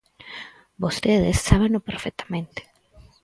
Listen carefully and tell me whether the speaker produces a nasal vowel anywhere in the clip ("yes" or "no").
yes